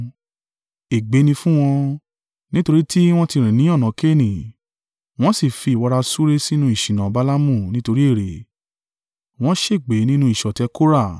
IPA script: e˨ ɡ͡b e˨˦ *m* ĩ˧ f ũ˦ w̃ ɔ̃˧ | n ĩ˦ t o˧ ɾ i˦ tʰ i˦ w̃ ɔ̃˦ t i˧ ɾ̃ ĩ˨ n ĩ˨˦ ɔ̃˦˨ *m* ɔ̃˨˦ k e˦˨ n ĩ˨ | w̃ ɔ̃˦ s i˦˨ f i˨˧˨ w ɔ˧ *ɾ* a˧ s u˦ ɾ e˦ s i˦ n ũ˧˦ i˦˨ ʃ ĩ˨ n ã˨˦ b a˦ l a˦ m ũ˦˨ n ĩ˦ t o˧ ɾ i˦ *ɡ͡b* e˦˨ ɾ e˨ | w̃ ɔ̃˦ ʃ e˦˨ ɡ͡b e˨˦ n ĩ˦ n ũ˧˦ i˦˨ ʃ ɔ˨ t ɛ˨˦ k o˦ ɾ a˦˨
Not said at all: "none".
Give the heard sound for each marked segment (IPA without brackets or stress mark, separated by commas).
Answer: n, n, ɾ, none